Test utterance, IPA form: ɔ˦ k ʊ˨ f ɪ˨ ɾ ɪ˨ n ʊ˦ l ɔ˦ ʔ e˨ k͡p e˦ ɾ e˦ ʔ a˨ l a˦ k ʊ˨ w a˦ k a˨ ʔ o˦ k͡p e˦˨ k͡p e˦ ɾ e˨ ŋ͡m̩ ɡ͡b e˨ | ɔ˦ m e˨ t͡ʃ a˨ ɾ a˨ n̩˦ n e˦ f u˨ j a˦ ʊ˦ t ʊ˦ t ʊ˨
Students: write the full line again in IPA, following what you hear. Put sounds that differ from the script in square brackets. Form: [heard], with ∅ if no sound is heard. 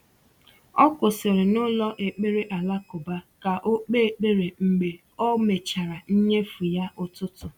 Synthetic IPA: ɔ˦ k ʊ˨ [s] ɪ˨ ɾ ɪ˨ n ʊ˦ l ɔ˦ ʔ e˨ k͡p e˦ ɾ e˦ ʔ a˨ l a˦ k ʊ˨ [b] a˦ k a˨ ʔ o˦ k͡p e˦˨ k͡p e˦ ɾ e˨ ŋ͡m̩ ɡ͡b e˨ | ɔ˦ m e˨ t͡ʃ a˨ ɾ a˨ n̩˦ [ɲ] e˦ f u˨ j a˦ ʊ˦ t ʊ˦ t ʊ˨